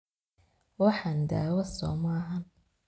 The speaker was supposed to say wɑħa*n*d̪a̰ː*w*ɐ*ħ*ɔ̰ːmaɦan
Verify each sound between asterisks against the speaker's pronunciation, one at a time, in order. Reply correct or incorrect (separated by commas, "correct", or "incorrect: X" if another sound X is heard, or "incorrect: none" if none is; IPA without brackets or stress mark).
correct, correct, incorrect: s